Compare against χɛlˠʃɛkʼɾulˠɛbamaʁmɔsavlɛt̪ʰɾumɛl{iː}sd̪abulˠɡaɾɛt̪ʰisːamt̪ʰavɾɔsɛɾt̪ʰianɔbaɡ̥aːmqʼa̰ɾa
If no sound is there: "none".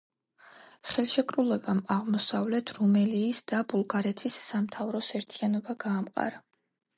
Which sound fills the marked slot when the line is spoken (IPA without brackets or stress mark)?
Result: iː